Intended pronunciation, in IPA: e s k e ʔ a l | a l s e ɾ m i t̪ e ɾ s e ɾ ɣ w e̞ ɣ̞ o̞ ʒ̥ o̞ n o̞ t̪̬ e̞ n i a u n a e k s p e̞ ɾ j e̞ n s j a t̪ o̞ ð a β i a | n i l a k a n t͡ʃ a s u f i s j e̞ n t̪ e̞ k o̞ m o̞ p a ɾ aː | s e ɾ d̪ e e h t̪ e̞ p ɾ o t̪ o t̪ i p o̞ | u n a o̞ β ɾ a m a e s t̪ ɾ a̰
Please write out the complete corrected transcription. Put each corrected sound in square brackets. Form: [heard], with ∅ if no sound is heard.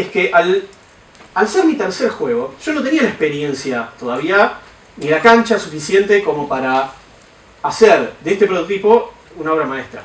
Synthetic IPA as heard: e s k e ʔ a l | a l s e ɾ m i t̪ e ɾ s e ɾ [x] w e̞ ɣ̞ o̞ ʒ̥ o̞ n o̞ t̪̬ e̞ n i a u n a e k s p e̞ ɾ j e̞ n s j a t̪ o̞ ð a β i a | n i l a k a n t͡ʃ a s u f i s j e̞ n t̪ e̞ k o̞ m o̞ p a ɾ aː | s e ɾ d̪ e e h t̪ e̞ p ɾ o t̪ o t̪ i p o̞ | u n a o̞ β ɾ a m a e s t̪ ɾ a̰